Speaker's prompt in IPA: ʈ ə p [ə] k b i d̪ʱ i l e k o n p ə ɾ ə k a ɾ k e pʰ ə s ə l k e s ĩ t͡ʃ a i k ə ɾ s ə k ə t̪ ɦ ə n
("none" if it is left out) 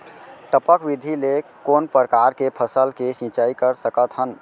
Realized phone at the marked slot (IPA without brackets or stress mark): ə